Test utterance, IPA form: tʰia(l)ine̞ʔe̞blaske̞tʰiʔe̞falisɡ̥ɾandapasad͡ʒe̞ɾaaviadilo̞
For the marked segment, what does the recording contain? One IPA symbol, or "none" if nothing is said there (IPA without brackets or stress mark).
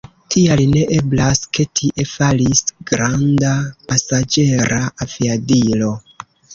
l